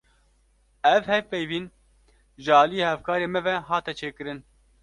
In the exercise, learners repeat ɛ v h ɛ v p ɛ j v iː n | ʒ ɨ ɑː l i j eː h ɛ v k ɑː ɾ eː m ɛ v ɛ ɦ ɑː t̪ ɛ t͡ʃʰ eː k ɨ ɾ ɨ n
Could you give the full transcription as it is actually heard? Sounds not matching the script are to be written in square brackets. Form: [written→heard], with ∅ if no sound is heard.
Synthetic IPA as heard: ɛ v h ɛ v p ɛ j v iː n | ʒ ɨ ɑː l i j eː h ɛ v k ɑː ɾ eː m ɛ v ɛ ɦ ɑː t̪ ɛ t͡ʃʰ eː k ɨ ɾ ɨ n